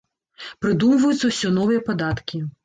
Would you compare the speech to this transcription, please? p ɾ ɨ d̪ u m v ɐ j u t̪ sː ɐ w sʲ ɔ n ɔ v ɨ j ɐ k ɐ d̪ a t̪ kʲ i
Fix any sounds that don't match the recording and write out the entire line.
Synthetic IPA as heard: p ɾ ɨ d̪ u m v ɐ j u t̪ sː ɐ w sʲ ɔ n ɔ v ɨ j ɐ p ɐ d̪ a t̪ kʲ i

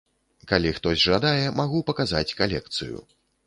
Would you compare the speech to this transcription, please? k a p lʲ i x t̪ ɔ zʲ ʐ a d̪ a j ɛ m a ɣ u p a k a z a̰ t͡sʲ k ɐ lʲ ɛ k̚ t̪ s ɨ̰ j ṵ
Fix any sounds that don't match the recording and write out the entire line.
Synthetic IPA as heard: k a lʲ i x t̪ ɔ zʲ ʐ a d̪ a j ɛ m a ɣ u p ɐ k a z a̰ t͡sʲ k a lʲ ɛ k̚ t̪ s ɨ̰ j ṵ

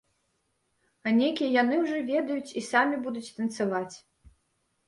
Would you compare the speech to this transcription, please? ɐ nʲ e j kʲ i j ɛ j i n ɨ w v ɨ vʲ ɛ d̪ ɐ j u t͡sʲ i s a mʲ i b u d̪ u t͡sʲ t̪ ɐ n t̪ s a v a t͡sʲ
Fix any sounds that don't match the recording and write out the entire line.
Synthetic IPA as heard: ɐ nʲ e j kʲ i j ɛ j a n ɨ w ʐ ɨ vʲ ɛ d̪ ɐ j u t͡sʲ i s a mʲ i b u d̪ u t͡sʲ t̪ ɐ n t̪ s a v a t͡sʲ

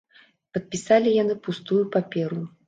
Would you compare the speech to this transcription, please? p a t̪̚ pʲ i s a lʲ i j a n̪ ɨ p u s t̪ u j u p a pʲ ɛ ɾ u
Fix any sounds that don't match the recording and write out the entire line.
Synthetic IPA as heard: p ɐ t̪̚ pʲ i s a lʲ i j a n̪ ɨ p u s t̪ u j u p a pʲ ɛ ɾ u

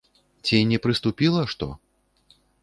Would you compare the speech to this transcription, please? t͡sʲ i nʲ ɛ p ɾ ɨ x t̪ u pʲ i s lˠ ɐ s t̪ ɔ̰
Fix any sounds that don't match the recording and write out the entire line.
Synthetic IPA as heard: t͡sʲ i nʲ ɛ p ɾ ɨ s t̪ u pʲ i lˠ ɐ ʂ t̪ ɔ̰

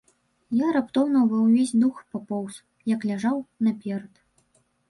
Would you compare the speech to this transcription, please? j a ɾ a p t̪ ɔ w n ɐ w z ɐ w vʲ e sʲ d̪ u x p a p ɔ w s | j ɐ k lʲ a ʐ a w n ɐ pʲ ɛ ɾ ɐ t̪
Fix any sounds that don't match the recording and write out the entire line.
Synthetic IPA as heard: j a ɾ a p t̪ ɔ w n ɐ w v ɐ w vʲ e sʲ d̪ u x p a p ɔ w s | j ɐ k lʲ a ʐ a w n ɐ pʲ ɛ ɾ ɐ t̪

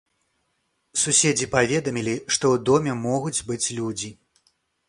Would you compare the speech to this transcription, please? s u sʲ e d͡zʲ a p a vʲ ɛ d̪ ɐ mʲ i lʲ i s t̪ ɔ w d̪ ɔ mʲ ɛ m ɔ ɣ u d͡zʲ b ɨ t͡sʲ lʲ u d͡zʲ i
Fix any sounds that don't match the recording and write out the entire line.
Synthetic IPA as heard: s u sʲ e d͡zʲ i p a vʲ ɛ d̪ ɐ mʲ i lʲ i ʂ t̪ ɔ w d̪ ɔ mʲ ɛ m ɔ ɣ u d͡zʲ b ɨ t͡sʲ lʲ u d͡zʲ i

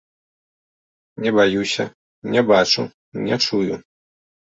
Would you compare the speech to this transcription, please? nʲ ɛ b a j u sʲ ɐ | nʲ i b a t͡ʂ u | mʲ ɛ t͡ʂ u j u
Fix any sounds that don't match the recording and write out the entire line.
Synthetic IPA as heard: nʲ ɛ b a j u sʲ ɐ | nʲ ɛ b a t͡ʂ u | nʲ ɛ t͡ʂ u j u

